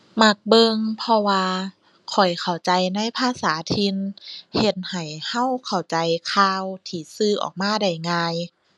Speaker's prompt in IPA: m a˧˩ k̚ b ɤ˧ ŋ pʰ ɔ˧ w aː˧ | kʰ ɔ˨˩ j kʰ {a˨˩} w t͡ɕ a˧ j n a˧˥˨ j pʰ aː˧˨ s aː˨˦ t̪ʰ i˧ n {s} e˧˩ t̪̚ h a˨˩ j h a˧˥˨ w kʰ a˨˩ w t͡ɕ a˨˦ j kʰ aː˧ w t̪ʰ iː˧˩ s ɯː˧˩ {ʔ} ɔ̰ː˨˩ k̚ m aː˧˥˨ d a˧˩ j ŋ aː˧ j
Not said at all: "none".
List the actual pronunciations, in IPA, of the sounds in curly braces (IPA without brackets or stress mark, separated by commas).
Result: a˨˩, h, ʔ